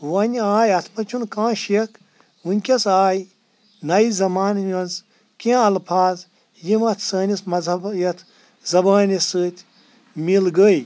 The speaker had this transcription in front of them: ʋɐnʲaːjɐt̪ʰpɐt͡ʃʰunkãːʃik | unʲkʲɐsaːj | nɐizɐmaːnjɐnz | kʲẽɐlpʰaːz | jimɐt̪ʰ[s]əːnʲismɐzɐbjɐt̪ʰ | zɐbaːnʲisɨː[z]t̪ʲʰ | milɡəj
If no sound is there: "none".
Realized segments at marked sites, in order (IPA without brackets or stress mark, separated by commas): s, none